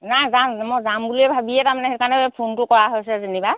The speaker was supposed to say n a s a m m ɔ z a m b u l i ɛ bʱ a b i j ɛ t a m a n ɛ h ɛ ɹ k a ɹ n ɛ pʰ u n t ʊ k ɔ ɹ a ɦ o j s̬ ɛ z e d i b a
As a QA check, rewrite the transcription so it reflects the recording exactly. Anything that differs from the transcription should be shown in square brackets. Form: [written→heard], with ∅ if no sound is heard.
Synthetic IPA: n a [s→z] a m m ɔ z a m b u l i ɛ bʱ a b i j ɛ t a m a n ɛ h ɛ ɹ k a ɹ n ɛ pʰ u n t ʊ k ɔ ɹ a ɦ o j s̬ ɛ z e [d→n] i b a

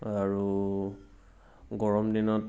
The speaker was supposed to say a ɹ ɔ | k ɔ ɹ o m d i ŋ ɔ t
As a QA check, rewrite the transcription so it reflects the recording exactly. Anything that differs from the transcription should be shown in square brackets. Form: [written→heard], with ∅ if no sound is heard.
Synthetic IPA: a ɹ [ɔ→u] | [k→ɡ] ɔ ɹ [o→ɔ] m d i [ŋ→n] ɔ t

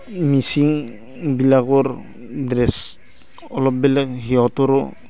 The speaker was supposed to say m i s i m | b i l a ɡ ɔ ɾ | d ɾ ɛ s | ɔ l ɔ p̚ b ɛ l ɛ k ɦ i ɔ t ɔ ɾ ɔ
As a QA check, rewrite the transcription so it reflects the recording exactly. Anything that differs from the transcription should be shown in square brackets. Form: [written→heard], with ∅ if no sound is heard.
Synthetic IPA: m i s i [m→ŋ] | b i l a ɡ ɔ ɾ | d ɾ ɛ s | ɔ l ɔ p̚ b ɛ l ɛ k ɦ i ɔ t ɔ ɾ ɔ

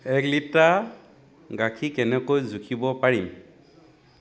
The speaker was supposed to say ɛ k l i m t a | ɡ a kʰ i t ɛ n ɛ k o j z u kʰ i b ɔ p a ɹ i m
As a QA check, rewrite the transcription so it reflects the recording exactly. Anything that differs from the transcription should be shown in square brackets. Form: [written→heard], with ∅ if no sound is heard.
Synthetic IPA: ɛ k l i [m→∅] t a | ɡ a kʰ i [t→k] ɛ n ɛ k o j z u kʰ i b ɔ p a ɹ i m

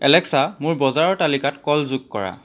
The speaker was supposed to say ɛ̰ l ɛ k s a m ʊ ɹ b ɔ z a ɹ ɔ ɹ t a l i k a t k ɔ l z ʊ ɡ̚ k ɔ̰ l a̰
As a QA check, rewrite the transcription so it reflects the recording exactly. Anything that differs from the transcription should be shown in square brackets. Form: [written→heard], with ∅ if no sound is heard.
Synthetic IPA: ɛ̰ l ɛ k s a m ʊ ɹ b ɔ z a ɹ ɔ ɹ t a l i k a t k ɔ l z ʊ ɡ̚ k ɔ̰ [l→ɹ] a̰

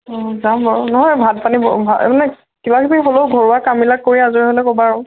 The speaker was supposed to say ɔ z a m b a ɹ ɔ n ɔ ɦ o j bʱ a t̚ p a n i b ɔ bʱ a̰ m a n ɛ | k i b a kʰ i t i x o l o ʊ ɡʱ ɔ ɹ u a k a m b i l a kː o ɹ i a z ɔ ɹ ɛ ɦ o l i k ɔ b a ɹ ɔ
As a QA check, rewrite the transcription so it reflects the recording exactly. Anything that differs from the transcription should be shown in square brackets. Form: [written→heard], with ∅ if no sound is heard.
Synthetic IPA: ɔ z a m b a ɹ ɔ n ɔ ɦ [o→ɔ] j bʱ a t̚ p a n i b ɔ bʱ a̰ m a n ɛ | k i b a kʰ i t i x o l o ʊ ɡʱ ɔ ɹ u a k a m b i l a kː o ɹ i a z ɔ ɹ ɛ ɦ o l [i→ɛ] k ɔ b a ɹ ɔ

